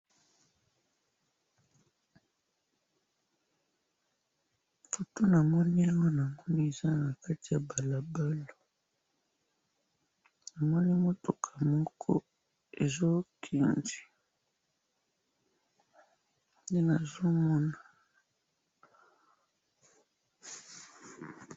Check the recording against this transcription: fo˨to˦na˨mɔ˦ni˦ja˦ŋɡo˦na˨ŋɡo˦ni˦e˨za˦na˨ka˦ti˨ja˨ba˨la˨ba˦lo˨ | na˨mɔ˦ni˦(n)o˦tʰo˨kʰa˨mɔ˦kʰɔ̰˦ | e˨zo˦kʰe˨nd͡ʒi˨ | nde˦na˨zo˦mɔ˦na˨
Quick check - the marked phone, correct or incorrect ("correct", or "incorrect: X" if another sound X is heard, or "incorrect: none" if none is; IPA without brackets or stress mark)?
incorrect: m